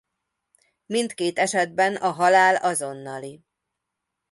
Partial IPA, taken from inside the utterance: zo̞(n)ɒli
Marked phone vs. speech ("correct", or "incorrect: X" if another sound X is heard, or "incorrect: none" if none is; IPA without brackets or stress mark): incorrect: nː